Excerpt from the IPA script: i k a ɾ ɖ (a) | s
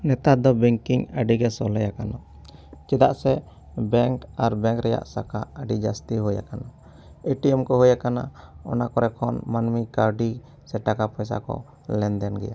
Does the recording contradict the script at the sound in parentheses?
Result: yes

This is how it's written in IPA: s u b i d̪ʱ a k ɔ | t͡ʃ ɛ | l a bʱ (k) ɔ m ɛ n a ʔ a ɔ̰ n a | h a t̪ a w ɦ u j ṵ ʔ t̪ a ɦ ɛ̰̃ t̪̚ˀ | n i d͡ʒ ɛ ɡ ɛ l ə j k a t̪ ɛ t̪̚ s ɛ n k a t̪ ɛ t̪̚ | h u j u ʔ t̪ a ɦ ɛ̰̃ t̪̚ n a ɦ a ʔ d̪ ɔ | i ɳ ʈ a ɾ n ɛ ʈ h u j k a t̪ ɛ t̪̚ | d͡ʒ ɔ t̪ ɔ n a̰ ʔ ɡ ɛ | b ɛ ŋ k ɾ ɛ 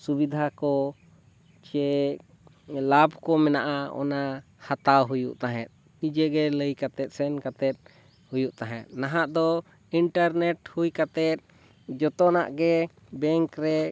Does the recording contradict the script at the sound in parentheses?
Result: no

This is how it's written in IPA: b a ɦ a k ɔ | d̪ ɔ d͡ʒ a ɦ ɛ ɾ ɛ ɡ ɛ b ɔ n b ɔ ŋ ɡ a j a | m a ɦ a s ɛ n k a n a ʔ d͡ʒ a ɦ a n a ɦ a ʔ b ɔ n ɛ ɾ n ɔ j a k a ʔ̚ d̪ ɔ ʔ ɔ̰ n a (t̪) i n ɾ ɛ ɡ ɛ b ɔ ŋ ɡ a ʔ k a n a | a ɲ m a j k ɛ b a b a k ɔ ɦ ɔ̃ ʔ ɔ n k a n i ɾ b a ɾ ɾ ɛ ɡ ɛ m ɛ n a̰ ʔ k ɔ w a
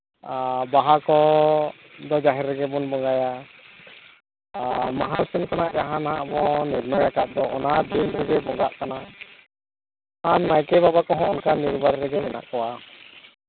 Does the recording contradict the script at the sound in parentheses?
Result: yes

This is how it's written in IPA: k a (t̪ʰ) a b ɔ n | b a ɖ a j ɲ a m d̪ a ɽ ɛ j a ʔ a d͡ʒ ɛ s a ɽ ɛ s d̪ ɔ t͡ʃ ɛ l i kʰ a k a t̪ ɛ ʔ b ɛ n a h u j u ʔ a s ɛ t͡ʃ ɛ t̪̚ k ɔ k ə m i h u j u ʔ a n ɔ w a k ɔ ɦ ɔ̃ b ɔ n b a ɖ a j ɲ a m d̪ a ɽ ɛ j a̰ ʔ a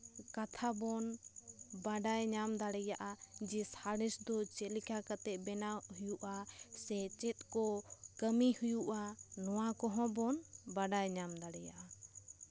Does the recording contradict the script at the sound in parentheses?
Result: no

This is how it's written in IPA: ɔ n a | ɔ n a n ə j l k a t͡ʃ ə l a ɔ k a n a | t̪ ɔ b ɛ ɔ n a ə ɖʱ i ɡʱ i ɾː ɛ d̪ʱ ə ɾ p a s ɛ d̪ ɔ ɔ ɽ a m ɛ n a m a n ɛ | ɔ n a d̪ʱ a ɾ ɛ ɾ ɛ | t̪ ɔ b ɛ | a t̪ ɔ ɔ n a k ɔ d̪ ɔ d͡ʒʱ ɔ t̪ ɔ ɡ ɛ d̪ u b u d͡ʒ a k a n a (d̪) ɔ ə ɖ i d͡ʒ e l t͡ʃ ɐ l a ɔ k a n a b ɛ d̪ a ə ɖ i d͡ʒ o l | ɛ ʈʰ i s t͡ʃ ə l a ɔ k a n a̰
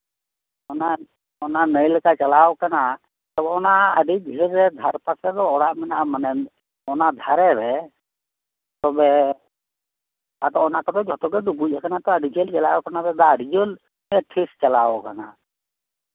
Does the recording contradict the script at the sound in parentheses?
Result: yes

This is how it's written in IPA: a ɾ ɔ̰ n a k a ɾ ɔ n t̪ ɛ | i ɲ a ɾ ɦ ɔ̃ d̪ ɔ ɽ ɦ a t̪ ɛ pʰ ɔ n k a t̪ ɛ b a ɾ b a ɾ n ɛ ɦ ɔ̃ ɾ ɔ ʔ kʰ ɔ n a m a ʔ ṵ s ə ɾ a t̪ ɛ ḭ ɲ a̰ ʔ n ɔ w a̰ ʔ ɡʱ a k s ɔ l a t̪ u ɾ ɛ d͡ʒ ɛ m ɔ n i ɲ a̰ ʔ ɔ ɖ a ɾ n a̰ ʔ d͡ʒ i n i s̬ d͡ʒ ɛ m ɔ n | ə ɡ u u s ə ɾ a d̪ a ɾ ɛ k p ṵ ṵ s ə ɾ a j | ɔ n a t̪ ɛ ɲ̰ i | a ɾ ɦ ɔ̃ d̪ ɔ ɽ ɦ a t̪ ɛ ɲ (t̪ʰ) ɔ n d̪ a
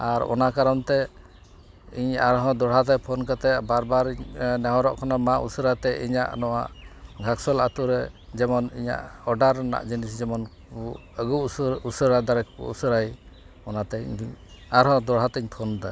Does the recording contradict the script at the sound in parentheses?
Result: no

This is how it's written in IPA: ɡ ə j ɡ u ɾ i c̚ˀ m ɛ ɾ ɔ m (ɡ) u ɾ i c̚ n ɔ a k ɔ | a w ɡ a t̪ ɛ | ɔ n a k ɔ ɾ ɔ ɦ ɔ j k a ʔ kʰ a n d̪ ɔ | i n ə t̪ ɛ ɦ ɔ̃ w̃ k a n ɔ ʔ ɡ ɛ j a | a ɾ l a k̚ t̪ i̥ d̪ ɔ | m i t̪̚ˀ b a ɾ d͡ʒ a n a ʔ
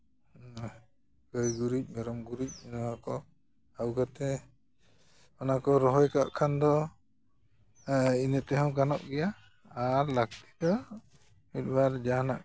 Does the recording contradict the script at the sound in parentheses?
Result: no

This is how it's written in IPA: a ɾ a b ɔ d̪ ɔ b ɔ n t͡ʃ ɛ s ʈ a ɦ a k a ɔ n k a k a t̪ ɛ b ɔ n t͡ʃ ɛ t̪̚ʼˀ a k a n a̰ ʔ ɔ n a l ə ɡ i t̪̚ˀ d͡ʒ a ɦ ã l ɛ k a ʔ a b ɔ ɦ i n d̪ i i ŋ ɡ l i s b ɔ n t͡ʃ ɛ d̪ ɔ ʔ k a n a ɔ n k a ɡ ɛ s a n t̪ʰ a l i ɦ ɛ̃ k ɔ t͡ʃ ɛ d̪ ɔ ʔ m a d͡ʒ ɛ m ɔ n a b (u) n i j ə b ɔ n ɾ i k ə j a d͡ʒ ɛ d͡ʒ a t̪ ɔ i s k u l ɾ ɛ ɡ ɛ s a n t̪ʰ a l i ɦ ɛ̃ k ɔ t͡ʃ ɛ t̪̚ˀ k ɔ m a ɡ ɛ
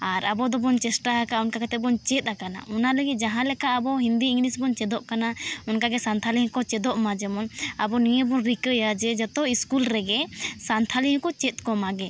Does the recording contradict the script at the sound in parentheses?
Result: yes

